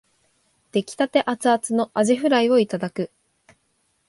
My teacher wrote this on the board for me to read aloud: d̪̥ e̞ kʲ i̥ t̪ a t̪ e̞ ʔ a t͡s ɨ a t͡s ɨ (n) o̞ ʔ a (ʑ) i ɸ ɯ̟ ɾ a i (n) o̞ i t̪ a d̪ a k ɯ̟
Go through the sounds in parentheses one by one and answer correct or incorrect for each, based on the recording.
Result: correct, correct, incorrect

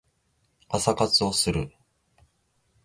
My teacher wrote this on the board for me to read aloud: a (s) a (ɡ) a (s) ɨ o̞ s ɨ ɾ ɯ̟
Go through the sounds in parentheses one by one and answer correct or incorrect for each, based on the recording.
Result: correct, incorrect, incorrect

